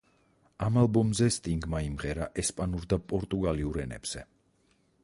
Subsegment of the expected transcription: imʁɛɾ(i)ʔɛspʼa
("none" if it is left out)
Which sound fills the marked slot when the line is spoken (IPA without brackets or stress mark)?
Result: a